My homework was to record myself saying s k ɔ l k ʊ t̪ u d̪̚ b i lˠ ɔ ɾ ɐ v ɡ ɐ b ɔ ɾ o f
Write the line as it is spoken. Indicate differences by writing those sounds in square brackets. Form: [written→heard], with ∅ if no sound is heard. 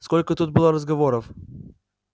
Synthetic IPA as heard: s k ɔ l k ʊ t̪ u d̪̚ b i lˠ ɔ ɾ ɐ [v→z] ɡ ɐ [b→v] ɔ ɾ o f